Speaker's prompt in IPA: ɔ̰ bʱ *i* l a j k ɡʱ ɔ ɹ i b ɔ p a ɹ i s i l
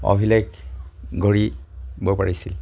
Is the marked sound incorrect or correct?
correct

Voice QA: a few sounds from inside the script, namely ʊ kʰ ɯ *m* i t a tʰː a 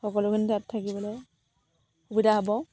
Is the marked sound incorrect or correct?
incorrect: n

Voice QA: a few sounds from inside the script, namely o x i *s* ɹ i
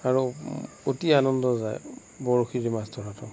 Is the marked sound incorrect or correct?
incorrect: none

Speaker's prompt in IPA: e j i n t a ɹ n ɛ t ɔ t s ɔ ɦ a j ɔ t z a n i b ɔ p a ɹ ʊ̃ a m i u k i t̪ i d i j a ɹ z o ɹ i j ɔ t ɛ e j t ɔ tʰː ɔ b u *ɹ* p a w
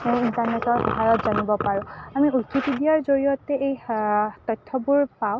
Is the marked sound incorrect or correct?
correct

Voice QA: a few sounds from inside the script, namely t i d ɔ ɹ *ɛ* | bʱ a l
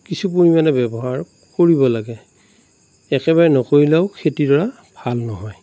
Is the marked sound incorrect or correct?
incorrect: a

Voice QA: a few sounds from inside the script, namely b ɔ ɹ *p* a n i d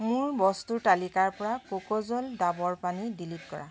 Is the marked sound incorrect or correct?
correct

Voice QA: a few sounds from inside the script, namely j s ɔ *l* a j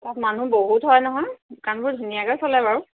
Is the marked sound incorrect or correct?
correct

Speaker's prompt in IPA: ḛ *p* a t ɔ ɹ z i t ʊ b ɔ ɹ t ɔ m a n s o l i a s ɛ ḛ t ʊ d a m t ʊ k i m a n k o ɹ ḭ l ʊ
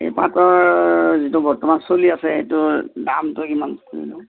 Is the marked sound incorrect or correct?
correct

